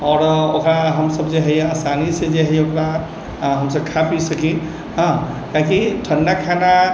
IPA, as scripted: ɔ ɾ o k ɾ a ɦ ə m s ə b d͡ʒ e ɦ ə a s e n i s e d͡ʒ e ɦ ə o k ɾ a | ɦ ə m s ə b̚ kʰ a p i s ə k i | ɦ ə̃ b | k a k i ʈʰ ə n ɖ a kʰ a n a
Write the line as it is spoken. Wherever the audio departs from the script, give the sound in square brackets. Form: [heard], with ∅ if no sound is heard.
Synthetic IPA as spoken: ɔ ɾ o k ɾ a ɦ ə m s ə b d͡ʒ e ɦ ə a s [a] n i s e d͡ʒ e ɦ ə o k ɾ a | ɦ ə m s ə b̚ kʰ a p i s ə k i | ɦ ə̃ [∅] | k a k i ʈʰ ə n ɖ a kʰ a n a